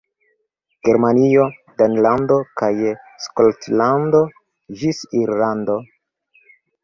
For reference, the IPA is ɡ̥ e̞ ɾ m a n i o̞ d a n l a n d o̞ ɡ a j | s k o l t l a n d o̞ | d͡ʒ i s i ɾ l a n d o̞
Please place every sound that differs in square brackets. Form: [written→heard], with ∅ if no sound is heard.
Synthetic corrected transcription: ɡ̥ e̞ ɾ m a n i o̞ d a n l a n d o̞ [ɡ→k] a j | s k o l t l a n d o̞ | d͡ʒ i s i ɾ l a n d o̞